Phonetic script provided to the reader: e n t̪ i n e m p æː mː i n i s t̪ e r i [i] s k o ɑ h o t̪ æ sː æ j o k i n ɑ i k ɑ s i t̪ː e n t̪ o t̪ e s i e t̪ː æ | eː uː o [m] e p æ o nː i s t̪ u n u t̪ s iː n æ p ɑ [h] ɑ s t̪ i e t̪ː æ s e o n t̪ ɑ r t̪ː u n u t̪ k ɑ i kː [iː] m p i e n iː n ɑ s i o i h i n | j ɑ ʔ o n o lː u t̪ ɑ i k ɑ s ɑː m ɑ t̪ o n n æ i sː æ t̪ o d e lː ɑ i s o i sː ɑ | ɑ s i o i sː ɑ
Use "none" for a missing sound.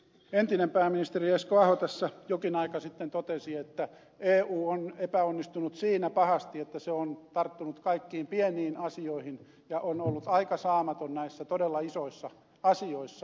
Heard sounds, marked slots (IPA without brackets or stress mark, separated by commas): e, n, h, iː